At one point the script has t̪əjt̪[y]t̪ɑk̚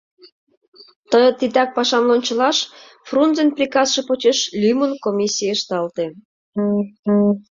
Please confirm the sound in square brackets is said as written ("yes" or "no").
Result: no